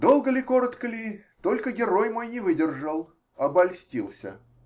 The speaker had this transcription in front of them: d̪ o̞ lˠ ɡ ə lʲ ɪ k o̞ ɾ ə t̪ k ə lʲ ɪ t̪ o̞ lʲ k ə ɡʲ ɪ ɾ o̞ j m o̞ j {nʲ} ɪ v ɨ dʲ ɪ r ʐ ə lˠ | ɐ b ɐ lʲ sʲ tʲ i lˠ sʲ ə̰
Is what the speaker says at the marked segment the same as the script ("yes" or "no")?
yes